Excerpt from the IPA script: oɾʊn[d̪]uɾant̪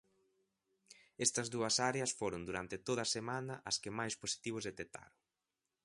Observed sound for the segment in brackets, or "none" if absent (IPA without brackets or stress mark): d̪